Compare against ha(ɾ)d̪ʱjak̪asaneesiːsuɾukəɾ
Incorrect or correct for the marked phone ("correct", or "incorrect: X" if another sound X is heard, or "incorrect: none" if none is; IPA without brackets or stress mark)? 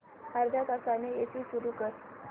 correct